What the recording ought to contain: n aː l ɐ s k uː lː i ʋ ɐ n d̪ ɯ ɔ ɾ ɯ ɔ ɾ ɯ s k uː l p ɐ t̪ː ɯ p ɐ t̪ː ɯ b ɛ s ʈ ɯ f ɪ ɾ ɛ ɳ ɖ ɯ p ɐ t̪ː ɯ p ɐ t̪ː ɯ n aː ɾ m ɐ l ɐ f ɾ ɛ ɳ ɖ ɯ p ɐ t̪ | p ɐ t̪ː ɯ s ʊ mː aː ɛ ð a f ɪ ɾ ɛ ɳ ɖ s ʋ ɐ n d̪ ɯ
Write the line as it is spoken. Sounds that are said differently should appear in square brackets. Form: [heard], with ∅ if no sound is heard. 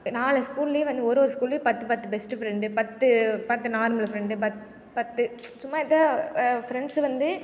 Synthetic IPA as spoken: n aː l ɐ s k uː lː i ʋ ɐ n d̪ ɯ ɔ ɾ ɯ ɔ ɾ ɯ s k uː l p ɐ t̪ː ɯ p ɐ t̪ː ɯ b ɛ s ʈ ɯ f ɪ ɾ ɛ ɳ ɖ ɯ p ɐ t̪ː ɯ p ɐ t̪ː ɯ n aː ɾ m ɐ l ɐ f ɾ ɛ ɳ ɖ ɯ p ɐ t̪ | p ɐ t̪ː ɯ s ʊ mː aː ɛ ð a f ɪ ɾ ɛ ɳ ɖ s ʋ ɐ n d̪ ɯ